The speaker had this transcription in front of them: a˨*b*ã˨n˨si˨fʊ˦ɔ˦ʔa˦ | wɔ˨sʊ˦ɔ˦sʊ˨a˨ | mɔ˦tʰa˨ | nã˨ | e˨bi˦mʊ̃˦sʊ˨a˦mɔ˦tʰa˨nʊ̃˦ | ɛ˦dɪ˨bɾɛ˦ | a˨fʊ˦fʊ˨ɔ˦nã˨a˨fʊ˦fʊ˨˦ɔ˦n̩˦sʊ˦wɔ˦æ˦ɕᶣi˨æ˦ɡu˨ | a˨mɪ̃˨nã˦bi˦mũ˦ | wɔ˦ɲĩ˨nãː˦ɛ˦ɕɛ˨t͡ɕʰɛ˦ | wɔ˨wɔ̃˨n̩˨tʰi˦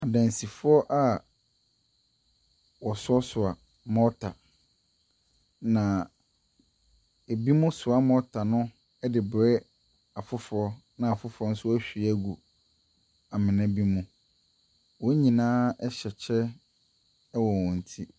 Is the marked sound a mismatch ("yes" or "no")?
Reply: yes